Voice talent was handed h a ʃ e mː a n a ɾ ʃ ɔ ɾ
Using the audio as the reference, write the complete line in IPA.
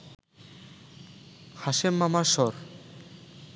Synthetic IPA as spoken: h a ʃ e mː a m a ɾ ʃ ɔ ɾ